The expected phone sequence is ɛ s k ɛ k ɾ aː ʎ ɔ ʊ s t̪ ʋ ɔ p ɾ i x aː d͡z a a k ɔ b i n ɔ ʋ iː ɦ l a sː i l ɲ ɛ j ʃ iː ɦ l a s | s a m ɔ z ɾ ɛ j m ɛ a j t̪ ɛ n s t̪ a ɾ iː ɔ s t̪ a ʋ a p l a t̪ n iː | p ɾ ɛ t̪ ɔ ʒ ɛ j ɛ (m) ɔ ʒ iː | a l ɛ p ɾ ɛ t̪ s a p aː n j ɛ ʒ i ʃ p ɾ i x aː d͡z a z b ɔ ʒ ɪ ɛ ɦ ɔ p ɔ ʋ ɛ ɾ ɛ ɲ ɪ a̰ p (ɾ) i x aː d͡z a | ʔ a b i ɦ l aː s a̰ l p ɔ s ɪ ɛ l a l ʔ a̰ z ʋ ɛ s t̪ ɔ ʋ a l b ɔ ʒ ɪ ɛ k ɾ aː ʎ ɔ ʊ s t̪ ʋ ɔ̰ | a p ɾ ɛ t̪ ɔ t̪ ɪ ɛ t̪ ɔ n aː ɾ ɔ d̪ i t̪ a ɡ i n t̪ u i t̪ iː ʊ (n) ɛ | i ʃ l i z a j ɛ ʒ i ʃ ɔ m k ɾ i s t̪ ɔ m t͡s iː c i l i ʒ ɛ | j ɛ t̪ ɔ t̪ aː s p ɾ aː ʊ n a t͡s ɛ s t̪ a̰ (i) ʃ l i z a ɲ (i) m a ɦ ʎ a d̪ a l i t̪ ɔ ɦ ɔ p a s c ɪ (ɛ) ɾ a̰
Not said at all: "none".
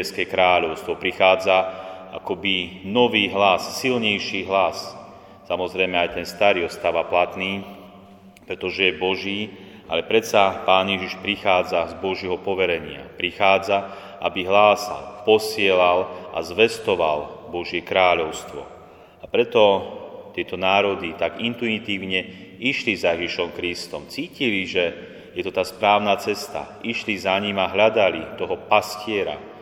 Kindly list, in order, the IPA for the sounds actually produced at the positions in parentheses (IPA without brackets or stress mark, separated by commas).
b, ɾ, ɲ, i, i, ɛ